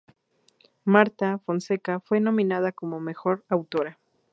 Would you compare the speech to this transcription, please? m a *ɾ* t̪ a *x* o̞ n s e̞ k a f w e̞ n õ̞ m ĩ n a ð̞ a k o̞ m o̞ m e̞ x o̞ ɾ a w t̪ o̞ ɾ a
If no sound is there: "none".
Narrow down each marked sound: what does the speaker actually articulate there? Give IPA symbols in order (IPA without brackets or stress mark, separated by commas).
ɾ, f